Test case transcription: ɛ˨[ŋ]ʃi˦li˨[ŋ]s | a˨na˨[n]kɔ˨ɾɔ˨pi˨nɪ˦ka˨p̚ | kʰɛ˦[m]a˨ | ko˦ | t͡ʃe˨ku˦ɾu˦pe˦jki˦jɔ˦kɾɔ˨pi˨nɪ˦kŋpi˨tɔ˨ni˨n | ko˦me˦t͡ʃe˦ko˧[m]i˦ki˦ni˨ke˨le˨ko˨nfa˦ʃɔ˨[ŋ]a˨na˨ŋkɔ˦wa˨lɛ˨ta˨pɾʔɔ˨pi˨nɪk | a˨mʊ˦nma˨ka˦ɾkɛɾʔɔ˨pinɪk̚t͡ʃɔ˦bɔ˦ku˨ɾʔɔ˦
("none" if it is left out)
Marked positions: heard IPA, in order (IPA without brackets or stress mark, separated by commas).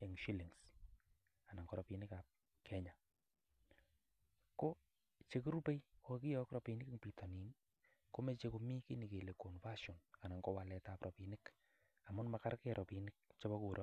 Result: ŋ, ŋ, ŋ, ɲ, m, n